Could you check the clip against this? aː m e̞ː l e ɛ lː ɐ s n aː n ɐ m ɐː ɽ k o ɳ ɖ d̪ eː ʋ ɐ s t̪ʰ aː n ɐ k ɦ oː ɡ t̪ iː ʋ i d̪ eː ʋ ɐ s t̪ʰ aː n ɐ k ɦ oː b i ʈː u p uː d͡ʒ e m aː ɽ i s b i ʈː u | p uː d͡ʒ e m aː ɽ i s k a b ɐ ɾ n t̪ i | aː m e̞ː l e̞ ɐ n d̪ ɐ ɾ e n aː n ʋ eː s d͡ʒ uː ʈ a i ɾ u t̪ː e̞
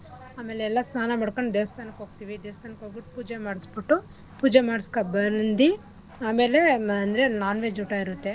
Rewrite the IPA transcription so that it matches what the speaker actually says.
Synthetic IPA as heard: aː m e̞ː l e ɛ lː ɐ s n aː n ɐ m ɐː ɽ k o ɳ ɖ d̪ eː ʋ ɐ s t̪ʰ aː n ɐ k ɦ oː ɡ t̪ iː ʋ i d̪ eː ʋ ɐ s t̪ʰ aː n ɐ k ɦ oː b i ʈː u p uː d͡ʒ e m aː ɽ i s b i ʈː u | p uː d͡ʒ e m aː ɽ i s k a b ɐ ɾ n d̪ i | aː m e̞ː l e̞ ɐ n d̪ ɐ ɾ e n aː n ʋ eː d͡ʒ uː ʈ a i ɾ u t̪ː e̞